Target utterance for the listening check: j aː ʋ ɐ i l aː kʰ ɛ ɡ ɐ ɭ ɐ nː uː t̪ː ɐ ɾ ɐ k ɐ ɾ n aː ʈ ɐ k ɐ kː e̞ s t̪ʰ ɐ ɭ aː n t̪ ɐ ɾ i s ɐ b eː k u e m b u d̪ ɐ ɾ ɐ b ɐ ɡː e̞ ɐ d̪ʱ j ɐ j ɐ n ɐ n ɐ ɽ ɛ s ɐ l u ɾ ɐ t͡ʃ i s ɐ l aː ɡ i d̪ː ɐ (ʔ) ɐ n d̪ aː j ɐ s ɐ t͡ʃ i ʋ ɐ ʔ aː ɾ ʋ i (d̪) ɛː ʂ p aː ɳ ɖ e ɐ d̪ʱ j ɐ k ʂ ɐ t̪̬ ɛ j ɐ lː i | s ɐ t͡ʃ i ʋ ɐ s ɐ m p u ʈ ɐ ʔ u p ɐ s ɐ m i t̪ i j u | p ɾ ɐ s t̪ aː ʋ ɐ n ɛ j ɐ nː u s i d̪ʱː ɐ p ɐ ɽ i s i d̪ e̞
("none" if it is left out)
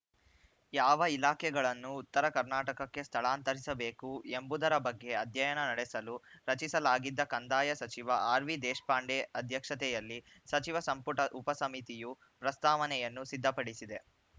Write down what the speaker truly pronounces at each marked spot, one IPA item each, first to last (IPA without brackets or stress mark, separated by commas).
k, d̪